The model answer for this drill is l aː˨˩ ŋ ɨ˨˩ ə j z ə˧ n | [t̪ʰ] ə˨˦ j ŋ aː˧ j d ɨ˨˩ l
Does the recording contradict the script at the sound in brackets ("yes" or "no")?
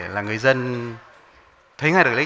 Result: no